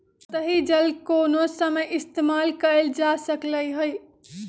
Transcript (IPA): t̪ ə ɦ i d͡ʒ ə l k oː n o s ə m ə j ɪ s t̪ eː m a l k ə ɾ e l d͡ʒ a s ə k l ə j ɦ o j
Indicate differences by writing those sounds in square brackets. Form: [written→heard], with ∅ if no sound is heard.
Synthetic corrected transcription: t̪ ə ɦ i d͡ʒ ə l k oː n o s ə m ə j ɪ s t̪ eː m a l k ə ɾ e l d͡ʒ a s ə k l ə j ɦ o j